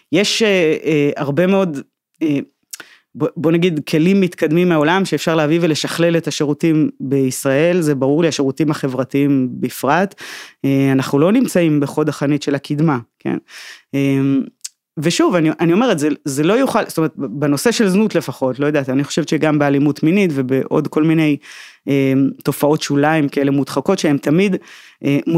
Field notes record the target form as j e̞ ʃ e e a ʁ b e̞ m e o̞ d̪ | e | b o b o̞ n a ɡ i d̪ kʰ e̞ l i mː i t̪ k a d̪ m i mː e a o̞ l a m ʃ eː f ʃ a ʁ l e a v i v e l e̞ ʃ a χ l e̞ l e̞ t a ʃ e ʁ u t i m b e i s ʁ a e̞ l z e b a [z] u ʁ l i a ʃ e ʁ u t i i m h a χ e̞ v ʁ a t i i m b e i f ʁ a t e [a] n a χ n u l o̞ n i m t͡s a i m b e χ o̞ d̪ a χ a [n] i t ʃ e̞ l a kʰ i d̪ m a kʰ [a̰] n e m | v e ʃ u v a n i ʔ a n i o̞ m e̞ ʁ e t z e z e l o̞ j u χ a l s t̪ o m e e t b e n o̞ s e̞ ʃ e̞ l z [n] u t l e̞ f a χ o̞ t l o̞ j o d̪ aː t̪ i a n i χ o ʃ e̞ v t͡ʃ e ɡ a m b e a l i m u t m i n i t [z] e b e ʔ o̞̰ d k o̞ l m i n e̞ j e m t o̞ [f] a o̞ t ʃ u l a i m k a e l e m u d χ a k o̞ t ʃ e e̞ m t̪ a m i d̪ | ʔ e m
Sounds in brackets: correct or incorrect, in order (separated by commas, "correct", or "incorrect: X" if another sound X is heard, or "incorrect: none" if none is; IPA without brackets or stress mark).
incorrect: ʁ, correct, correct, incorrect: ḛ, correct, incorrect: v, correct